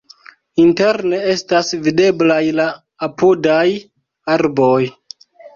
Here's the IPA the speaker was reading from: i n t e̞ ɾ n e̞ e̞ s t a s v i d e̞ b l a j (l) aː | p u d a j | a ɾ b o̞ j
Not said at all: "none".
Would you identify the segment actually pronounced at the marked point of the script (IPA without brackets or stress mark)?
l